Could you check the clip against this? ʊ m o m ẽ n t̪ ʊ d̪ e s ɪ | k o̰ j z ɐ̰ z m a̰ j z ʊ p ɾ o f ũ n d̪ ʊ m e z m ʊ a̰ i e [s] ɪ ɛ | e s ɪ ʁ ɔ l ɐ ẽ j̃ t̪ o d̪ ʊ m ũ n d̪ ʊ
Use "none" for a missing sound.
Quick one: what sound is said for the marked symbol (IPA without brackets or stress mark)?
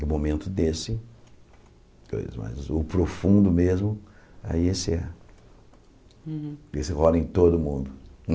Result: s